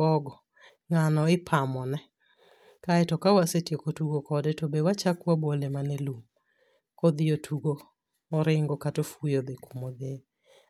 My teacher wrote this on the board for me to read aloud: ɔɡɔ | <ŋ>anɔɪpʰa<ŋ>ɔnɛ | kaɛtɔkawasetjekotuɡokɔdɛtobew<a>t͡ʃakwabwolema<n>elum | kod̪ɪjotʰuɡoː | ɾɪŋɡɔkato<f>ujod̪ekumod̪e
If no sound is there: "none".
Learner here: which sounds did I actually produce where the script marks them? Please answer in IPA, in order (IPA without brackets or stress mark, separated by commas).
ŋ, m, a, n, f